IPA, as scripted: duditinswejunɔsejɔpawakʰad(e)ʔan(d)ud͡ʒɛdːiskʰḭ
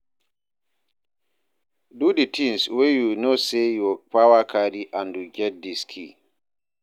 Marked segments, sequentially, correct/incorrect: incorrect, correct

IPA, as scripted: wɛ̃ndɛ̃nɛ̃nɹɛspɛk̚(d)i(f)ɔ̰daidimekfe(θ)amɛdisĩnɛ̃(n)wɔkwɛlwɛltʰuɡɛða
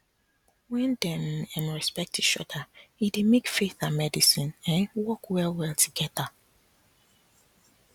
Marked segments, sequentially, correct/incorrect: incorrect, incorrect, correct, correct

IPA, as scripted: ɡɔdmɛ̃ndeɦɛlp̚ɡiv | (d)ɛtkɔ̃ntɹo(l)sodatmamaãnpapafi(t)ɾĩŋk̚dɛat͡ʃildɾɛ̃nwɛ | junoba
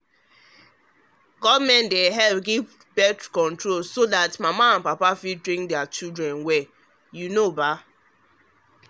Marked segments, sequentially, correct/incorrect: incorrect, correct, incorrect

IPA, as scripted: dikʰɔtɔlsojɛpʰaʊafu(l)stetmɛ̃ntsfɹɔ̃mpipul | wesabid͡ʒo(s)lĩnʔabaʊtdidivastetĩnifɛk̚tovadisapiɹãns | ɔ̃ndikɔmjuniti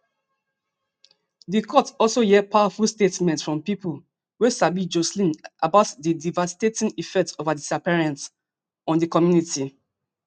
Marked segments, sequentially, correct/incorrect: correct, correct

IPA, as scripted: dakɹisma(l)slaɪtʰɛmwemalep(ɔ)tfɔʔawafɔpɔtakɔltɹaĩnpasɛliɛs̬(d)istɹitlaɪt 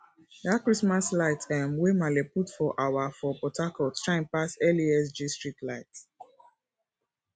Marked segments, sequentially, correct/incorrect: incorrect, incorrect, incorrect

